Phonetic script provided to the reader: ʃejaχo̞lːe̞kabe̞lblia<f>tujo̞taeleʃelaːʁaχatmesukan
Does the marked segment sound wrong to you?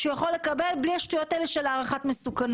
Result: yes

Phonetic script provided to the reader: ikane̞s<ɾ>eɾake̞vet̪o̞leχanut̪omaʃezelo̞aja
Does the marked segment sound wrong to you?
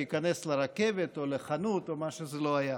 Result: yes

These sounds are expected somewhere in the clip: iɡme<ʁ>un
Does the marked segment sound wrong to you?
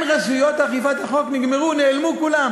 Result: no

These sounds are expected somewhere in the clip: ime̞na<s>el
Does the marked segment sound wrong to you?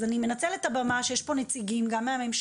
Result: yes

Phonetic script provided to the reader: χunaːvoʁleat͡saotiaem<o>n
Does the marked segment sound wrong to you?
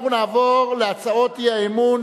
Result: yes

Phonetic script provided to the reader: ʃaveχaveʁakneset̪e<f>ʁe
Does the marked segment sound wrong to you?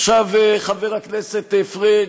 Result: no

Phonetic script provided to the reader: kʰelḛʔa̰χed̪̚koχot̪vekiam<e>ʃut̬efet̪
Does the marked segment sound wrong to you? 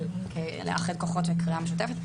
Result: no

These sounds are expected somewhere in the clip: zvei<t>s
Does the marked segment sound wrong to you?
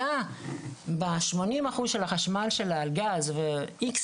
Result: yes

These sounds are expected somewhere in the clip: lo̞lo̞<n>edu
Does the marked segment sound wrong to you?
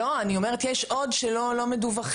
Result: yes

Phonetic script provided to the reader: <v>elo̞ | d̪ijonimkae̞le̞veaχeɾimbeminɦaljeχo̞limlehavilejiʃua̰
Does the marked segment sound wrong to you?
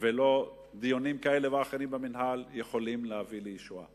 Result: no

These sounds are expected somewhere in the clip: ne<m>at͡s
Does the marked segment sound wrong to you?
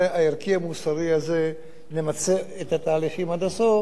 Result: no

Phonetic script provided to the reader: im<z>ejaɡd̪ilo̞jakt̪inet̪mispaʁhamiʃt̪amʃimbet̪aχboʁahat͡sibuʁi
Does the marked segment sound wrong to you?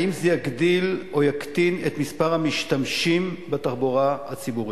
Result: no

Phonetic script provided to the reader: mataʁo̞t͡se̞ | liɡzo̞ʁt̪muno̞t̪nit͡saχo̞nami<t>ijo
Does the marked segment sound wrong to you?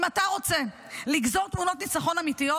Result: no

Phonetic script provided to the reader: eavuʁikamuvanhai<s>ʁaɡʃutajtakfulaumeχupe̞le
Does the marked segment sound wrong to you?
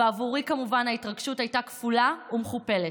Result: yes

